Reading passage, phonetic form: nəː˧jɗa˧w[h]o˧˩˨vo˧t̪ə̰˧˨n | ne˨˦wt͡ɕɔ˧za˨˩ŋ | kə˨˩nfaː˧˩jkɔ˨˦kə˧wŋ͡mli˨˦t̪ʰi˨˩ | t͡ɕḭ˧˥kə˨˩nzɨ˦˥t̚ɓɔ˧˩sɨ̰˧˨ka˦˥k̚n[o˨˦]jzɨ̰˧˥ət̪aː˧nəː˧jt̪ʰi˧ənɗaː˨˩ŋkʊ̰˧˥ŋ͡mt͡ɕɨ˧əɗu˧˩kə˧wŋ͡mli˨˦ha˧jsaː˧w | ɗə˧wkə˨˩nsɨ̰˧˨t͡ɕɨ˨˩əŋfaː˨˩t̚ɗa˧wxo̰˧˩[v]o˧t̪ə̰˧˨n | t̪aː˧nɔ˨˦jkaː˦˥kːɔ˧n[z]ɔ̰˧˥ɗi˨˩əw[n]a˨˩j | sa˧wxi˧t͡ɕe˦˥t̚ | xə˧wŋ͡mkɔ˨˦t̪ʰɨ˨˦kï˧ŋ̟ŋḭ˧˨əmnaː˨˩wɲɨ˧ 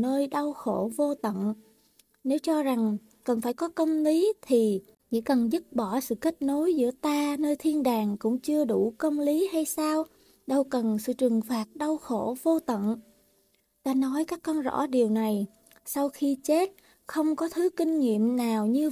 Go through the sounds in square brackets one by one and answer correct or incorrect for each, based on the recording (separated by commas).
incorrect, correct, correct, correct, correct